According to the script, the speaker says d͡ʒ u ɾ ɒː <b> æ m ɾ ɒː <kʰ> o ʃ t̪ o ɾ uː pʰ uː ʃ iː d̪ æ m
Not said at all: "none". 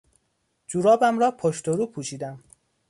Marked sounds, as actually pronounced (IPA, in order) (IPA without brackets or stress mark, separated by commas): b, pʰ